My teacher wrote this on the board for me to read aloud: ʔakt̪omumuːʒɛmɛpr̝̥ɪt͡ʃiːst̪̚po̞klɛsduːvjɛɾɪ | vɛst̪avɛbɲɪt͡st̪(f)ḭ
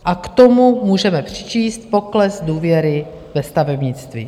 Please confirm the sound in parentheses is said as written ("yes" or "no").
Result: no